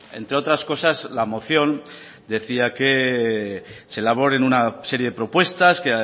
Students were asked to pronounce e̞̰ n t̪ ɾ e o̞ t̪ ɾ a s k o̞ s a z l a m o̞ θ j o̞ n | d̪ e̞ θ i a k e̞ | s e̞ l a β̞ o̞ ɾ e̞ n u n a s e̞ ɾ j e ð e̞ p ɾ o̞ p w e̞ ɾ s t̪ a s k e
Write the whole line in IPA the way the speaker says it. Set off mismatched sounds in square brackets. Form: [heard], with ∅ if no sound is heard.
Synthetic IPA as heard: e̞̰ n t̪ ɾ e o̞ t̪ ɾ a s k o̞ s a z l a m o̞ θ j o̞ n | d̪ e̞ θ i a k e̞ | s e̞ l a β̞ o̞ ɾ e̞ n u n a s e̞ ɾ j e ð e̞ p ɾ o̞ p w e̞ [∅] s t̪ a s k e